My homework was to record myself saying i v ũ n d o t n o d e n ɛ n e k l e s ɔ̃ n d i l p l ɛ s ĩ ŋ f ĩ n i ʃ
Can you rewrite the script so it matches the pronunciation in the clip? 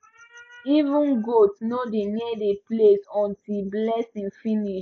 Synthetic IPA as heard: i v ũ n ɡ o t n o d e n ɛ d e p l e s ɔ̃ n t i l b l ɛ s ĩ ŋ f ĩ n i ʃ